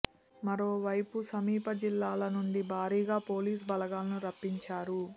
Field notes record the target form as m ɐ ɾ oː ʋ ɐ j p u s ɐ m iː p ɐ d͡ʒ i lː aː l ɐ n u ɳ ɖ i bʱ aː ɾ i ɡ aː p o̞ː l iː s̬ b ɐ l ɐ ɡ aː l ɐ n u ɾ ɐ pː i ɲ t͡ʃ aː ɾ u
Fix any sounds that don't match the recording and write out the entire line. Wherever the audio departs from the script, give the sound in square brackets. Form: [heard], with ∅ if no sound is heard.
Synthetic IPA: m ɐ ɾ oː ʋ ɐ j p u s ɐ m iː p ɐ d͡ʒ i lː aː l ɐ n u ɳ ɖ i bʱ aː ɾ [iː] ɡ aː p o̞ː l iː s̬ b ɐ l ɐ ɡ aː l ɐ n u ɾ ɐ pː i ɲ t͡ʃ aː ɾ u